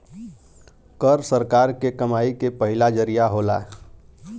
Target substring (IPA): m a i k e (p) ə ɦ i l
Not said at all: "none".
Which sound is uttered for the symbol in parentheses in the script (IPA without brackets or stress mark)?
p